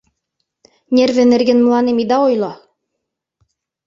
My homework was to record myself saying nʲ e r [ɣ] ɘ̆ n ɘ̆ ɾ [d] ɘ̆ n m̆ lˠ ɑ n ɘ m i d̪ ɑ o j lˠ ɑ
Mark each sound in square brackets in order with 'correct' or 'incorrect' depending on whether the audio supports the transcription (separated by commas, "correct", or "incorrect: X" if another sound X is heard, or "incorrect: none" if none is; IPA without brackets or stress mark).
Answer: incorrect: v, incorrect: ɡ